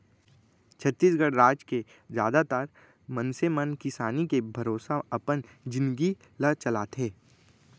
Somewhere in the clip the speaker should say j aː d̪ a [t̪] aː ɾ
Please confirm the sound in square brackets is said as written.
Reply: yes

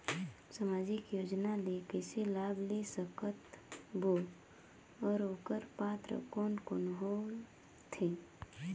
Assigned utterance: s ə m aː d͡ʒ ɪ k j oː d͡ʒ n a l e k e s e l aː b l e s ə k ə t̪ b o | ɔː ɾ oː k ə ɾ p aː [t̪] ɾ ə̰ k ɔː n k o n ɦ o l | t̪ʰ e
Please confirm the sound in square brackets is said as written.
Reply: yes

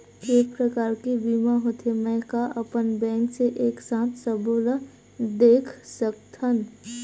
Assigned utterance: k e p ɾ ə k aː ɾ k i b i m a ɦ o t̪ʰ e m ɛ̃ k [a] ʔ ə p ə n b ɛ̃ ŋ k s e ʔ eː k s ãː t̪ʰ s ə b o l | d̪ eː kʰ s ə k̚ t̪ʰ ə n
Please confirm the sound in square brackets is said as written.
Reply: yes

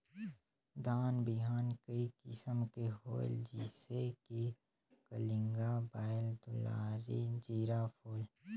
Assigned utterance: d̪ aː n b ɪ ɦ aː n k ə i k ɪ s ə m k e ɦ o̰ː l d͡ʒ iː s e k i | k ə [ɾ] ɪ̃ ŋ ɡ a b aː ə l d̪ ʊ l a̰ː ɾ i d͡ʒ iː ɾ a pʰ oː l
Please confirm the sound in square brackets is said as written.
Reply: no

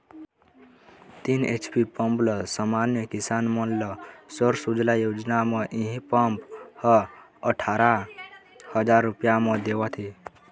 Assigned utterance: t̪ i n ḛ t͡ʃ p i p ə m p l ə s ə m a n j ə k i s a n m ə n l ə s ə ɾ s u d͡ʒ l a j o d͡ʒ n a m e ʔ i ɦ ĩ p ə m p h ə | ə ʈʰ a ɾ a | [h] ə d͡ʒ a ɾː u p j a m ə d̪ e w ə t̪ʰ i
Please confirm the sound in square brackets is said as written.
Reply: yes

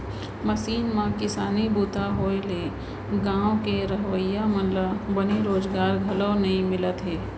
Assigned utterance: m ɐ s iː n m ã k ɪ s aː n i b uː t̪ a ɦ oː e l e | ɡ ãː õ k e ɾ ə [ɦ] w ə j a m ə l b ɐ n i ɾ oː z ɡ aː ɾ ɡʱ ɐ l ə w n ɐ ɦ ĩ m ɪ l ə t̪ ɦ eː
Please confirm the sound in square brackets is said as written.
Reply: yes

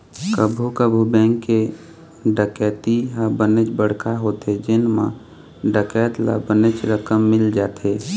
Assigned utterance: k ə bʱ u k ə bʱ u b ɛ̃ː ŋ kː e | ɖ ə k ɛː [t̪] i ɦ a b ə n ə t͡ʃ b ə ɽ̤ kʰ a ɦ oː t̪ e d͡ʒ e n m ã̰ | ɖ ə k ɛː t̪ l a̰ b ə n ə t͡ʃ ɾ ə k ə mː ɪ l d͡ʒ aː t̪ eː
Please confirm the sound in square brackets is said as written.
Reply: yes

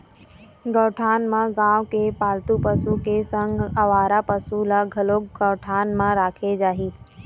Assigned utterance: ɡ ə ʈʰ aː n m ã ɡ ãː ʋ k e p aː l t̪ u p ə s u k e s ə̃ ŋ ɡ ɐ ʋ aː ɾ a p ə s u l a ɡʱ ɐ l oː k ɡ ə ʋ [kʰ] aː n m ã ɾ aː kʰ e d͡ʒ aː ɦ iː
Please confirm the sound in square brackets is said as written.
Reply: no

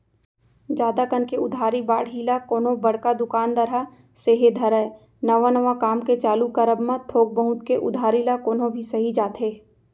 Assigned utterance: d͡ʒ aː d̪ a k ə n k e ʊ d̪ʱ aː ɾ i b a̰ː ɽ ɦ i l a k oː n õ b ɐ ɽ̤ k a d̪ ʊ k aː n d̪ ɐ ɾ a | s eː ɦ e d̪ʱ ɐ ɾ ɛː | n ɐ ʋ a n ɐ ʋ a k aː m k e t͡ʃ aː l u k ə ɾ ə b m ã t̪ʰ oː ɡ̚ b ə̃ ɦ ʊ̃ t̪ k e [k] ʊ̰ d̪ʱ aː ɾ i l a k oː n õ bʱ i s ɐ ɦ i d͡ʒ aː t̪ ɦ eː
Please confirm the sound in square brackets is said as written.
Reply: no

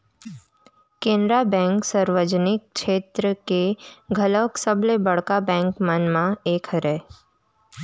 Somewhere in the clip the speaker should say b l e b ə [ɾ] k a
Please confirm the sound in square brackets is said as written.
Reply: no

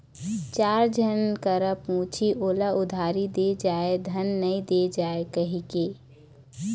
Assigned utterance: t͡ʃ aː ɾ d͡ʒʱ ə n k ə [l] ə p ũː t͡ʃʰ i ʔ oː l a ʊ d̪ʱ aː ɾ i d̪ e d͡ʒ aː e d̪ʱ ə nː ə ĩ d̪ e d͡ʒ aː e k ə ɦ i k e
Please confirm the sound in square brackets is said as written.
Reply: no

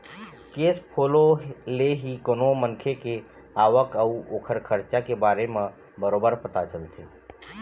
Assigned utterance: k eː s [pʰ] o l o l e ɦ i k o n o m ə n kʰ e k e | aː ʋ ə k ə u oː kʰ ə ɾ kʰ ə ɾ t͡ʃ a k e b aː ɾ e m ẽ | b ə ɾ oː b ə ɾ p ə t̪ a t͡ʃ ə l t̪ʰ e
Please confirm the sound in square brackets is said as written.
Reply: yes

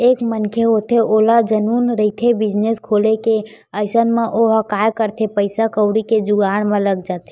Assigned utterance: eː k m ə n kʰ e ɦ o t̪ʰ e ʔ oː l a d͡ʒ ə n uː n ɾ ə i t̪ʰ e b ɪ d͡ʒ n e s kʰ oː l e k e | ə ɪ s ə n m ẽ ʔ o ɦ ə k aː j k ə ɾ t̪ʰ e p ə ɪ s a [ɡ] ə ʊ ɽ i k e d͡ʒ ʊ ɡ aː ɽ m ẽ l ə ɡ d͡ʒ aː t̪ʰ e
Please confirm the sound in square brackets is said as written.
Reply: no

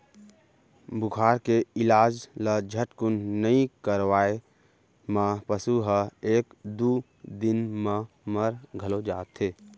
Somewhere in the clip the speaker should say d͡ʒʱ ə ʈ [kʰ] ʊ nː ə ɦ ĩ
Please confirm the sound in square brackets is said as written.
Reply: no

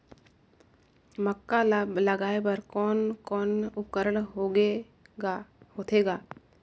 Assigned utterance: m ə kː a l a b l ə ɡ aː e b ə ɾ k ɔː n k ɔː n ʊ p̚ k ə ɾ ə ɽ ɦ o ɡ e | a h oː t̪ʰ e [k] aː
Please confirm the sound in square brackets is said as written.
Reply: no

